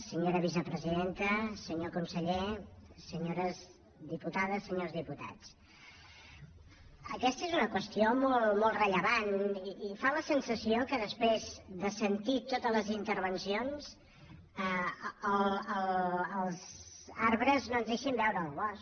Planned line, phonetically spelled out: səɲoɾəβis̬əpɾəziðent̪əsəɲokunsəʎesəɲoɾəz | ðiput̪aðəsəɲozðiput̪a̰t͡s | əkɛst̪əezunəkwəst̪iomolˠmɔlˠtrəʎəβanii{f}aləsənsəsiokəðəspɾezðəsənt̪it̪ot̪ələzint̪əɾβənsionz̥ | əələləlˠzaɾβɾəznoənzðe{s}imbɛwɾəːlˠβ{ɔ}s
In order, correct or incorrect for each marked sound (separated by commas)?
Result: correct, incorrect, correct